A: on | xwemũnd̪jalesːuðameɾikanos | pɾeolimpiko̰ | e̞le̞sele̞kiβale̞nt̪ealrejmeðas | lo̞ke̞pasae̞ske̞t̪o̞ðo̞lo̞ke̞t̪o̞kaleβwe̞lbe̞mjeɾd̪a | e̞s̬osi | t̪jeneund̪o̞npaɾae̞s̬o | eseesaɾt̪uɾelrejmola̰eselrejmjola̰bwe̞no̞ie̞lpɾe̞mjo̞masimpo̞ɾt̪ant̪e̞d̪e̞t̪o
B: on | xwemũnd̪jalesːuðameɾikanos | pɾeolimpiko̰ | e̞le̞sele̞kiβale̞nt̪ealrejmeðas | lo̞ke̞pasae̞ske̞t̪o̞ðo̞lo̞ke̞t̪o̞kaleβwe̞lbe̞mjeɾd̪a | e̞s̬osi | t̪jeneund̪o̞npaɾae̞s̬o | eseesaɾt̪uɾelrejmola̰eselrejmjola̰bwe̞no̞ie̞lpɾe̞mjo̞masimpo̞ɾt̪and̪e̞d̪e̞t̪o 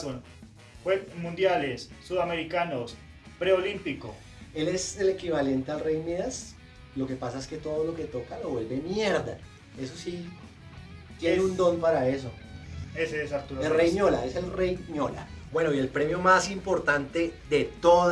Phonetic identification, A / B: A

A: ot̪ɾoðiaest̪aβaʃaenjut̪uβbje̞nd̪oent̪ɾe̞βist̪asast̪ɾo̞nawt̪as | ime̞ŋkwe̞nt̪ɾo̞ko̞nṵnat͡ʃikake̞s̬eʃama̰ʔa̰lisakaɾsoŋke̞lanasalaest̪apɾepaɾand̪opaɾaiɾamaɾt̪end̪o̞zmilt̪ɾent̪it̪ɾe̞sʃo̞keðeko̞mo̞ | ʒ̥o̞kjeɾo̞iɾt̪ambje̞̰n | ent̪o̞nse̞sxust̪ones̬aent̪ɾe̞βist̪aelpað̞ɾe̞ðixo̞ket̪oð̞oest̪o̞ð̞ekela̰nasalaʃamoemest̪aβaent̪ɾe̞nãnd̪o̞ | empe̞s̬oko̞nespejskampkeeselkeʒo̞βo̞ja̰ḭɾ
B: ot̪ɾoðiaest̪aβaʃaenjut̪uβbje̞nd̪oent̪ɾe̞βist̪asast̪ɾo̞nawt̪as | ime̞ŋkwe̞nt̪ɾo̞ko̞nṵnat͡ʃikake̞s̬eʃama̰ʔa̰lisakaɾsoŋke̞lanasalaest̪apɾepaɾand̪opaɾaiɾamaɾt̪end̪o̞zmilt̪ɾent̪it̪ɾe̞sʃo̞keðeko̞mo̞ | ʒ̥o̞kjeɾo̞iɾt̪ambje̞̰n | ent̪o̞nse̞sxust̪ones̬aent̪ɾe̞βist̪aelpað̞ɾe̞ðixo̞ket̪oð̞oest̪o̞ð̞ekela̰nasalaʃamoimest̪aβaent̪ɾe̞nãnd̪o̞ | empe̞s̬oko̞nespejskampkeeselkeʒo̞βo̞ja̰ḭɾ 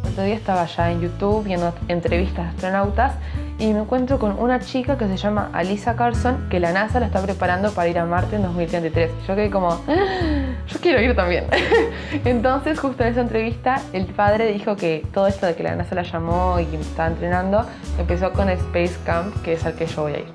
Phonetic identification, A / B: B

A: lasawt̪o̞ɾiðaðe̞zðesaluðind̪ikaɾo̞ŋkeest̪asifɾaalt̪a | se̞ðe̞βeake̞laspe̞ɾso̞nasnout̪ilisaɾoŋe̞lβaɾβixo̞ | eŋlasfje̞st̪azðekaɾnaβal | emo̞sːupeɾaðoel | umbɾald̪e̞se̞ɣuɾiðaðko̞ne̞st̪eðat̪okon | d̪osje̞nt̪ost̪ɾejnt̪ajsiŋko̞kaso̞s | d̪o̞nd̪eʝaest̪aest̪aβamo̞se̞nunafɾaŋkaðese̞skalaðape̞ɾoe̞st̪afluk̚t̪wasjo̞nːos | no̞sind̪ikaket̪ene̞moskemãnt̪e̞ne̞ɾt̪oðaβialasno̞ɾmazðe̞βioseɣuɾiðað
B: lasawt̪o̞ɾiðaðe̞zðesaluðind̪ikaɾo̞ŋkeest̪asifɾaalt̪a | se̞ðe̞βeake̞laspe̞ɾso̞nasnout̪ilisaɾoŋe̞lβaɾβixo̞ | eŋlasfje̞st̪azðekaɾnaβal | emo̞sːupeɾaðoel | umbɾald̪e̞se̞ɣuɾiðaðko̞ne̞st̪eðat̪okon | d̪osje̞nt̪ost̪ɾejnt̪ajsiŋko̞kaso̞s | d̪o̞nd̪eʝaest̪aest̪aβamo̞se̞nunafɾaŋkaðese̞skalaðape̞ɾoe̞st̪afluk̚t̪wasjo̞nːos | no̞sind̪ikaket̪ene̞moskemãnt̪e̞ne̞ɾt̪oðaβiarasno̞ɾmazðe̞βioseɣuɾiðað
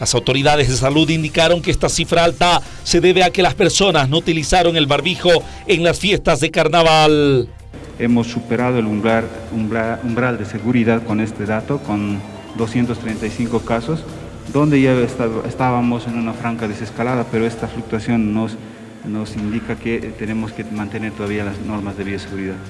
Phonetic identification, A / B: A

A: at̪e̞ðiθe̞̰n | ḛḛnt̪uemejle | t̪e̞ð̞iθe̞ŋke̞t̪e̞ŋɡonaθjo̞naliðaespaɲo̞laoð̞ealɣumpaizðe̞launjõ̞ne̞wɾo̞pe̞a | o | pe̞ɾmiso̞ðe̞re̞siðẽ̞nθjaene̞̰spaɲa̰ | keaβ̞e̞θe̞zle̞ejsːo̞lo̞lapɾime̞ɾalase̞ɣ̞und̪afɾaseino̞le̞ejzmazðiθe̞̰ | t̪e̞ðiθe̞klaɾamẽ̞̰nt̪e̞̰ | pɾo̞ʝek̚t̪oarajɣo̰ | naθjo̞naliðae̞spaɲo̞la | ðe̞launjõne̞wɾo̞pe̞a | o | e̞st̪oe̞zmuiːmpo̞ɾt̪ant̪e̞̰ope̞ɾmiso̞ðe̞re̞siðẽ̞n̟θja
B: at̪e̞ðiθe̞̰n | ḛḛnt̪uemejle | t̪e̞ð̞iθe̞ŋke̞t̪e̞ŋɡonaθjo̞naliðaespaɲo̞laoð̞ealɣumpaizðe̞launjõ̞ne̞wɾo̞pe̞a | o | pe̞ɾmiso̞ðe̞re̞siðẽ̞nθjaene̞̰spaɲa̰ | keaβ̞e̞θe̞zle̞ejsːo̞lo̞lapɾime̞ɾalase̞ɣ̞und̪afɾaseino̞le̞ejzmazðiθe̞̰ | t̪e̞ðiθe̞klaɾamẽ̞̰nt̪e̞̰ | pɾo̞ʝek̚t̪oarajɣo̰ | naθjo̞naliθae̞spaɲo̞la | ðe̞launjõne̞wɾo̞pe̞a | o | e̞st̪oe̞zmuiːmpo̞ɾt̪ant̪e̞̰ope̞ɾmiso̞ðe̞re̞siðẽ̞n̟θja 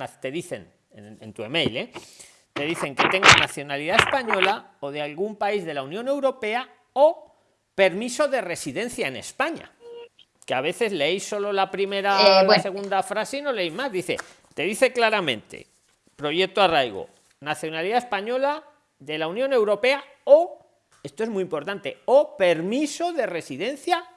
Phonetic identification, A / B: A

